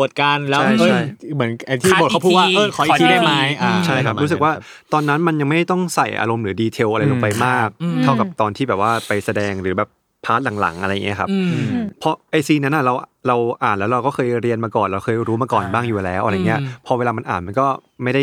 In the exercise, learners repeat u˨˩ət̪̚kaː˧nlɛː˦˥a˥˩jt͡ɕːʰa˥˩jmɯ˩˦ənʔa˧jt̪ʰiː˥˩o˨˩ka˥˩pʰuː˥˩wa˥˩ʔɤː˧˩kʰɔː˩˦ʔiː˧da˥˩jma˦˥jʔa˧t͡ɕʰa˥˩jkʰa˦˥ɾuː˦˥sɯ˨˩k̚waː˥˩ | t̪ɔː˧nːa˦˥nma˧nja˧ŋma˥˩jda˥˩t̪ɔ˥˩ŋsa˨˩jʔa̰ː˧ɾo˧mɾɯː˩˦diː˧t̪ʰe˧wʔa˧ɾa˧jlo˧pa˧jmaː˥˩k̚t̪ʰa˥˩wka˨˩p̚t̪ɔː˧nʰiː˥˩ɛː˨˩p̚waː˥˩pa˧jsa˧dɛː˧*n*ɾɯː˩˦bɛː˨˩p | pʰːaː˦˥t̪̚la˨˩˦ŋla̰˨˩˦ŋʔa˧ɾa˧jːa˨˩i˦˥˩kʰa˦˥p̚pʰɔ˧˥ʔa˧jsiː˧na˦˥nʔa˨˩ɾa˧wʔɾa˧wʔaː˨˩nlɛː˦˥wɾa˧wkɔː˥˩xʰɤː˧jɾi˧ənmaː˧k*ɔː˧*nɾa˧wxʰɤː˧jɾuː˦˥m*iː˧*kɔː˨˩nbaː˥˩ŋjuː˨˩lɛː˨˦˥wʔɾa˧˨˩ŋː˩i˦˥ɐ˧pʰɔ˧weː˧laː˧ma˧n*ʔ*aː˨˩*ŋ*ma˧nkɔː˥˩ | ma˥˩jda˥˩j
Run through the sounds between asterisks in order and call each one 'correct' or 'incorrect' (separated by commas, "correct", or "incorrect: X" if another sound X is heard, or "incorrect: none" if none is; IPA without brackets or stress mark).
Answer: incorrect: ŋ, incorrect: ɔː˨˩, incorrect: aː˧, correct, incorrect: n